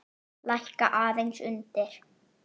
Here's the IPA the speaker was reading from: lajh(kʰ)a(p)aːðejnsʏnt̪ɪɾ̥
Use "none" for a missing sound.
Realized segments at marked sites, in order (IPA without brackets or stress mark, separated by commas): k, ʔ